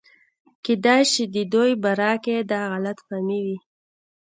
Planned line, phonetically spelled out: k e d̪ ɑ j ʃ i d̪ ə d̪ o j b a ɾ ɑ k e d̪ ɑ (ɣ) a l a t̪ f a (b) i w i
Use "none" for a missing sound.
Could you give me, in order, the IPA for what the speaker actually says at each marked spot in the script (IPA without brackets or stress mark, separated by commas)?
ɣ, m